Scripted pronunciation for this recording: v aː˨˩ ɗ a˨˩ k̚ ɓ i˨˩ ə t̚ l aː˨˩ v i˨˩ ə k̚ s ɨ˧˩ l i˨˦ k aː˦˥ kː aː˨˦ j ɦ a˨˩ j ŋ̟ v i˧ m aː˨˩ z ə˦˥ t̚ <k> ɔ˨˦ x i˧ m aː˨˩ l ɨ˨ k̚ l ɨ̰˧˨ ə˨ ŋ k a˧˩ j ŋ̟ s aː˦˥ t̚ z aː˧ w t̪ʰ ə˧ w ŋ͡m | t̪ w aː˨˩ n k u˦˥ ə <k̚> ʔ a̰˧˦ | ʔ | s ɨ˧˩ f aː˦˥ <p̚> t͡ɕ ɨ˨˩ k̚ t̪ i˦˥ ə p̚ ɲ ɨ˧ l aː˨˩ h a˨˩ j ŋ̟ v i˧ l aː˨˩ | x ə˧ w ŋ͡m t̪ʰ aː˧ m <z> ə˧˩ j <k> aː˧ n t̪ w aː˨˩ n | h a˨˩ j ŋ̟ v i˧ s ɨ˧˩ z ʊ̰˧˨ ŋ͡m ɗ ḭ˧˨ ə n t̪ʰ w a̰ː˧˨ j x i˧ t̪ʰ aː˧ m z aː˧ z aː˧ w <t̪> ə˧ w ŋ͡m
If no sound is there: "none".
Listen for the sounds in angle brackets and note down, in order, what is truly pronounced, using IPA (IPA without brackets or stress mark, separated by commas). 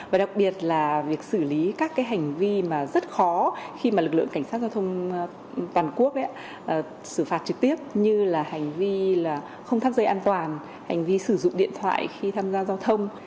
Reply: x, k̚, t̚, z, ʔ, t̪ʰ